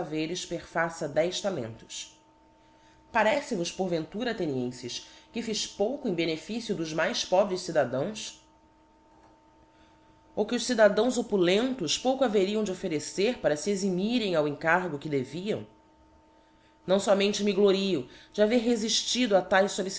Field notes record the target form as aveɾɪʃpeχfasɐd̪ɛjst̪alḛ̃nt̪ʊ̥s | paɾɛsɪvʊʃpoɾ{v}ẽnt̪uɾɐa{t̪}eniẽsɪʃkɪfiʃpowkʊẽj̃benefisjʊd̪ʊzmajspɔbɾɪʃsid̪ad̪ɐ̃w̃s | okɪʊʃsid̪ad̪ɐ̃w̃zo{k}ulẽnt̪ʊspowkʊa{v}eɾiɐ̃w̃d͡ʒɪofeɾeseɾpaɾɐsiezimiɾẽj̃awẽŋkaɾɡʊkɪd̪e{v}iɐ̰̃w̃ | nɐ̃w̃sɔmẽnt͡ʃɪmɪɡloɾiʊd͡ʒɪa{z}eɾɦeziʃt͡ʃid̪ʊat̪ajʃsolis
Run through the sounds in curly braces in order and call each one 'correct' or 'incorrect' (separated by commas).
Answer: correct, correct, incorrect, correct, correct, incorrect